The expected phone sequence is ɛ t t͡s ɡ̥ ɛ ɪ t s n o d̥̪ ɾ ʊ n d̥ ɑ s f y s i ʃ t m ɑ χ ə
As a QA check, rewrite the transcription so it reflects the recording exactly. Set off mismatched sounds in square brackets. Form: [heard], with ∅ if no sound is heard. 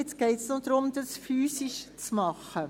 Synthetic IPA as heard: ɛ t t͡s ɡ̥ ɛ ɪ t s n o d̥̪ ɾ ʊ [m] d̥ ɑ s f [yː] s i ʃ [t͡s] m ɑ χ ə

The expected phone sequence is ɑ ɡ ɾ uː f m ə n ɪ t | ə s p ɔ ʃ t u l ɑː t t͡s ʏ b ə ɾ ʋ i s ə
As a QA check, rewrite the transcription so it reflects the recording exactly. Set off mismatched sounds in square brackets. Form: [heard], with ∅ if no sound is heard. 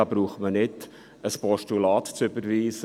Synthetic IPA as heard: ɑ [b] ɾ uː [χ] m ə n ɪ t | ə s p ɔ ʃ t u l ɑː t t͡s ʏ b ə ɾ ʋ [iː] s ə

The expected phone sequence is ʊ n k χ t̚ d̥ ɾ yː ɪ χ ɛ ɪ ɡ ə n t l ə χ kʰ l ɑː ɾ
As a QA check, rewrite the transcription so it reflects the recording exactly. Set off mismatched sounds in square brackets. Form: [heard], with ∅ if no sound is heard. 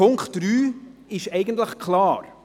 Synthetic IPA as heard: ʊ [ŋ] k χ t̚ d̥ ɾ yː ɪ [ʃ] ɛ ɪ ɡ ə n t l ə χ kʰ l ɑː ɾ

